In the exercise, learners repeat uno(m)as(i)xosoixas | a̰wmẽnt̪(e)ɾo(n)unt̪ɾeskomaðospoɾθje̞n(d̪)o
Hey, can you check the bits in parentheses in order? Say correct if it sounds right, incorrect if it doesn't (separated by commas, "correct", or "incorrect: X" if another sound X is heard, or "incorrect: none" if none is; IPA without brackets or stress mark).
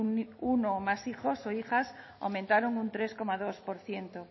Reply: correct, correct, incorrect: a, incorrect: ŋ, incorrect: t̪